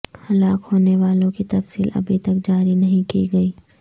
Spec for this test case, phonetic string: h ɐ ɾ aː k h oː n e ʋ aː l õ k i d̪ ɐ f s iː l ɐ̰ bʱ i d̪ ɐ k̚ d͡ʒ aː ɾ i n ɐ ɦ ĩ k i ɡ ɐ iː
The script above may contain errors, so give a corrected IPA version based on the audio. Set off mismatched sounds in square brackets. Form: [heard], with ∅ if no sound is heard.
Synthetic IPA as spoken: h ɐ [l] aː k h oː n e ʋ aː l õ k i [t̪] ɐ f s iː l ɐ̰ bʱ i [t̪] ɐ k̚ d͡ʒ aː ɾ i n ɐ ɦ ĩ k i ɡ ɐ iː